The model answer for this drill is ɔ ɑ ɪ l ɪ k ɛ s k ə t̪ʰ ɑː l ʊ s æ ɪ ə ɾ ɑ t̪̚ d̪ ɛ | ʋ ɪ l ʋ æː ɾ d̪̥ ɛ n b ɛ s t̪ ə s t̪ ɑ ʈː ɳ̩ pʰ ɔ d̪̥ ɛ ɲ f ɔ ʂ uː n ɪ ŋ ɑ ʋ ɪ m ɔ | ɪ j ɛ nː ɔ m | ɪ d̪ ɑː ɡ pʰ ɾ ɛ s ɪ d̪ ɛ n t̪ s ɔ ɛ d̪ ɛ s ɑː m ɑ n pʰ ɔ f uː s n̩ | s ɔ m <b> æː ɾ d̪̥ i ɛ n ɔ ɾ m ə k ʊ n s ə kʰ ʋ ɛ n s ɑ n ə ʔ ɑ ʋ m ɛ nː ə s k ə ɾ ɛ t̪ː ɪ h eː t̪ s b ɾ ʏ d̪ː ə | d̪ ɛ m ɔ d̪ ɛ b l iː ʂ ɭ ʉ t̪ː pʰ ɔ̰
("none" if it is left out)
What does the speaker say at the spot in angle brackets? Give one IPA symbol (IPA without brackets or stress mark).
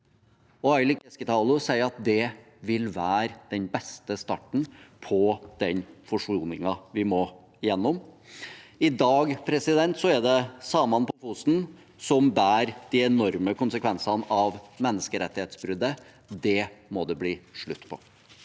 b